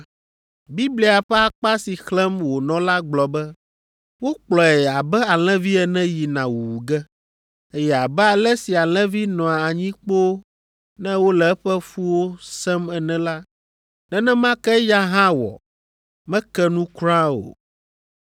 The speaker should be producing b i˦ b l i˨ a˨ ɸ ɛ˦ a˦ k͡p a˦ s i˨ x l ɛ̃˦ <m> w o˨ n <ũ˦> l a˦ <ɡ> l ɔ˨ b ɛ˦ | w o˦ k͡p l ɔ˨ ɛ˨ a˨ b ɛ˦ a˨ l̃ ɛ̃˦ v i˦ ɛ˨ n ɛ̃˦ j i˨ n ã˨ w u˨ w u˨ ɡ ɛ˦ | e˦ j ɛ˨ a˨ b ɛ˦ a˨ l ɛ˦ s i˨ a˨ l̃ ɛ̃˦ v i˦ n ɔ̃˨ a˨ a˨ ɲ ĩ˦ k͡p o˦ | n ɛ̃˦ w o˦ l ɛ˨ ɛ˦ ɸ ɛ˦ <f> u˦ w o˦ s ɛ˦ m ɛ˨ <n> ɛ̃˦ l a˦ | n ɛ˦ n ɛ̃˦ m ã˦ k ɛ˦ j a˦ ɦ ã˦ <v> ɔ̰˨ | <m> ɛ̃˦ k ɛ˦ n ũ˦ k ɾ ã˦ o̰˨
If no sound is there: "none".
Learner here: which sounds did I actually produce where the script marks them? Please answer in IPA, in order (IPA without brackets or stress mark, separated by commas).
m, ɔ̃˦, ɡ͡b, f, n, w, m